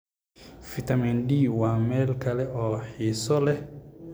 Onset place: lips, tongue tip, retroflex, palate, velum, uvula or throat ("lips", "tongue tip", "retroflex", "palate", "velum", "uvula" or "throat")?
lips